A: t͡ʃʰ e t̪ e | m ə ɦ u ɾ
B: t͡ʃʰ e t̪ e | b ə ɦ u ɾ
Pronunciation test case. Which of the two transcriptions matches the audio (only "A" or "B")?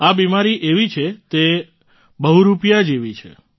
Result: B